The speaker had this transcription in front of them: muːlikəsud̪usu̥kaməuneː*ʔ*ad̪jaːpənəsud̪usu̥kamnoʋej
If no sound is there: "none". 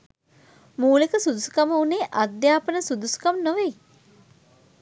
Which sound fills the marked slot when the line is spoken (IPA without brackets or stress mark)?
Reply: ʔ